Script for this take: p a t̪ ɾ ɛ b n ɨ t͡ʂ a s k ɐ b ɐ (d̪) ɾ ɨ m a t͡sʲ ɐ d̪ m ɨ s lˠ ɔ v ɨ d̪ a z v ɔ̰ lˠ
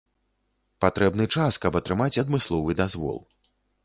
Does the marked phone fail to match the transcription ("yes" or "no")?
yes